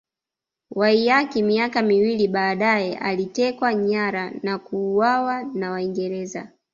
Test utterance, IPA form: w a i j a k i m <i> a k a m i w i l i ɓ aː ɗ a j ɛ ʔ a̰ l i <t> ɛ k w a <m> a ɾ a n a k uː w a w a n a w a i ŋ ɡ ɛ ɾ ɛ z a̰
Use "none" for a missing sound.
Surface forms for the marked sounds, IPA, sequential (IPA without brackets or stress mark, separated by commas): i, t, ɲ